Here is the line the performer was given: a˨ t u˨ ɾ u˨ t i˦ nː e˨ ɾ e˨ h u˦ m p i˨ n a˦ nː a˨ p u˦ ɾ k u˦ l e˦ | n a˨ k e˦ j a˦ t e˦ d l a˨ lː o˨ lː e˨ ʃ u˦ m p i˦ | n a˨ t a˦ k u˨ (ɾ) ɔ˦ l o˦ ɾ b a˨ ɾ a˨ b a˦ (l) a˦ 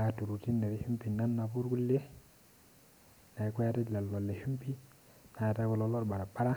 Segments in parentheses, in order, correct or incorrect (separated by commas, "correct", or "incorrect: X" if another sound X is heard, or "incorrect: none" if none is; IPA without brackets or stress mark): incorrect: l, incorrect: ɾ